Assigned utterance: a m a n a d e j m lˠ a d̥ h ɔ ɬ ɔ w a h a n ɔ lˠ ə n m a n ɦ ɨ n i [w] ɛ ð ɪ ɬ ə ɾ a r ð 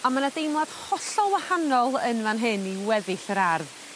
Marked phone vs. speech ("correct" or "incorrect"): correct